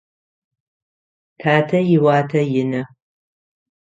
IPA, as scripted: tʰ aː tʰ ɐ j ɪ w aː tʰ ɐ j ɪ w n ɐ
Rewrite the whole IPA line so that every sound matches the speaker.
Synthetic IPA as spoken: tʰ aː tʰ ɐ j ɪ w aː tʰ ɐ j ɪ n ɐ